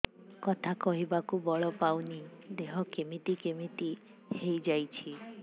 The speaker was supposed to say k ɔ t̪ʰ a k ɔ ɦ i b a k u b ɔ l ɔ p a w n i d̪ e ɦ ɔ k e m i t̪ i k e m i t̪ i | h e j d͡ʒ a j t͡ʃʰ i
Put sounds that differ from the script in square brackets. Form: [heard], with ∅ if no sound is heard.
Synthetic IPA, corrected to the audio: k ɔ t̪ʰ a k ɔ ɦ i b a k u b ɔ [ɭ] ɔ p a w n i d̪ e ɦ ɔ k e m i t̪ i k e m i t̪ i | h e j d͡ʒ a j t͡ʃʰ i